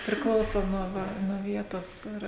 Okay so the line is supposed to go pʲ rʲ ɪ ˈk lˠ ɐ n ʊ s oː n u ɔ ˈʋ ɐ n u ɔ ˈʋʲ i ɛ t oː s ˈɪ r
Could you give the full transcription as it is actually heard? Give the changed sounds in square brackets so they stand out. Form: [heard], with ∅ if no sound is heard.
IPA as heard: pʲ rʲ ɪ ˈk lˠ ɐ [∅] ʊ s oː n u ɔ ˈʋ ɐ n u ɔ ˈʋʲ i ɛ t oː s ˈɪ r